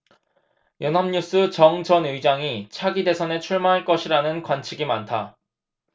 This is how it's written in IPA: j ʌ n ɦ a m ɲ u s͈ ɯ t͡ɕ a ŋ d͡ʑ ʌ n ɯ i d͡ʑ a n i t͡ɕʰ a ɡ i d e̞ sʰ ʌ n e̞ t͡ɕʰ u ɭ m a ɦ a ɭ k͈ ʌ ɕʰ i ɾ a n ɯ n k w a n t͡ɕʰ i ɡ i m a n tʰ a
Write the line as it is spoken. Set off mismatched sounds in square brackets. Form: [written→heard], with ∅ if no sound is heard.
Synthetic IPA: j ʌ n ɦ a m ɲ u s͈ ɯ t͡ɕ [a→ʌ] ŋ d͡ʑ ʌ n ɯ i d͡ʑ a [n→ŋ] i t͡ɕʰ a ɡ i d e̞ sʰ ʌ n e̞ t͡ɕʰ u ɭ m a ɦ a ɭ k͈ ʌ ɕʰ i ɾ a n ɯ n k w a n t͡ɕʰ i ɡ i m a n tʰ a